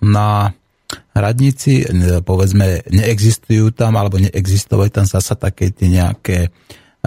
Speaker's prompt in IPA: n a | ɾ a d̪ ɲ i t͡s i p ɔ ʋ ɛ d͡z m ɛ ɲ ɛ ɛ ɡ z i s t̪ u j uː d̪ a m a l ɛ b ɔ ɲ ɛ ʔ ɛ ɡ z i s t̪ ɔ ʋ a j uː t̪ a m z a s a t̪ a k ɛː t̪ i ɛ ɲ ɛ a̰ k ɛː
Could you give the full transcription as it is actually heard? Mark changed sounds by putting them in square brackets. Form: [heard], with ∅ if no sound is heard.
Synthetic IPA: n a | ɾ a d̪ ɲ i t͡s i p ɔ ʋ ɛ d͡z m ɛ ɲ ɛ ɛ ɡ z i s t̪ u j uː [t̪] a m a l ɛ b ɔ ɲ ɛ ʔ ɛ ɡ z i s t̪ ɔ ʋ a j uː t̪ a m z a s a t̪ a k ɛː t̪ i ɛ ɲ ɛ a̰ k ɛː